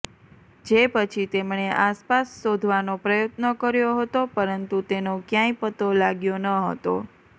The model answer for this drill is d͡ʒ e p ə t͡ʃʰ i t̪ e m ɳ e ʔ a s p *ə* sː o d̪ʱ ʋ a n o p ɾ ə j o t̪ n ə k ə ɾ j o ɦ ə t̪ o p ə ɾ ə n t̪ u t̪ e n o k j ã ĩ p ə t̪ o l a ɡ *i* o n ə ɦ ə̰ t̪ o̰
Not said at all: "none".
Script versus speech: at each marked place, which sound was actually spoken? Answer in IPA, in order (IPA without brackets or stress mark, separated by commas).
a, j